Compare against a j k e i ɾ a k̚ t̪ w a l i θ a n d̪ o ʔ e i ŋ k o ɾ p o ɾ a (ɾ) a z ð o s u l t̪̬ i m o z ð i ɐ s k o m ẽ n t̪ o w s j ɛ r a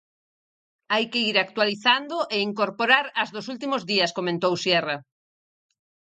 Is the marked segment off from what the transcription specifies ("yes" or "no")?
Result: no